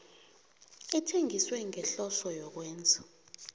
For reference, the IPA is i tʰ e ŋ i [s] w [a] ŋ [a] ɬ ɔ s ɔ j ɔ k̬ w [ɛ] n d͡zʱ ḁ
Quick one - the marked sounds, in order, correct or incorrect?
correct, incorrect: ɛ, incorrect: ɛ, incorrect: ɛː

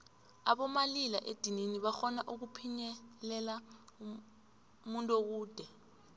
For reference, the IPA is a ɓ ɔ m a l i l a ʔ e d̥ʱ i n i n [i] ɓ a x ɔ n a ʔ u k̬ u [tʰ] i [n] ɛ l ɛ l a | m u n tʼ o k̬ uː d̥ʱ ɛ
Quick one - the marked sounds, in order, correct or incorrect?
correct, incorrect: pʰ, incorrect: ɲ

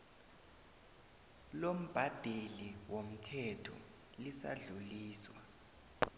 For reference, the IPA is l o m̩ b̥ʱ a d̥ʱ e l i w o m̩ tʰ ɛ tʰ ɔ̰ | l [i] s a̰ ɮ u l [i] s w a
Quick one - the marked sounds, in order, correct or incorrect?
correct, incorrect: iː

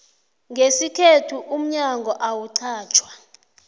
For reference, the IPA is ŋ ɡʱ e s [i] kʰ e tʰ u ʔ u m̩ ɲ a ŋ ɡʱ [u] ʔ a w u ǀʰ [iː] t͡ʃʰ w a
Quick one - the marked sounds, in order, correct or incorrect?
correct, incorrect: ɔ, incorrect: aː

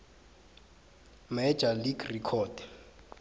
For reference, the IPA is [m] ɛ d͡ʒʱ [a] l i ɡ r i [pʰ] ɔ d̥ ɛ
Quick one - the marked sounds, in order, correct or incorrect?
correct, correct, incorrect: kʰ

